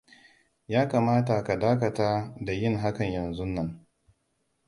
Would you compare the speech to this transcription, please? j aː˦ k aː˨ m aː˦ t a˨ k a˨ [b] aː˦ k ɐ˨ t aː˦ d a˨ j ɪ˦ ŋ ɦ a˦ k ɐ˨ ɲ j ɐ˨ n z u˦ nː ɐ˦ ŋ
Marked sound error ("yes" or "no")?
yes